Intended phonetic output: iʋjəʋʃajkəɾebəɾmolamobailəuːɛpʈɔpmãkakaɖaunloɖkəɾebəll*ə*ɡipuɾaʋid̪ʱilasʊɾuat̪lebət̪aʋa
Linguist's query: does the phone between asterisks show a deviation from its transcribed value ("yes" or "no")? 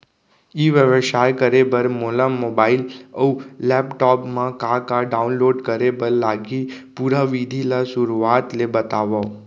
yes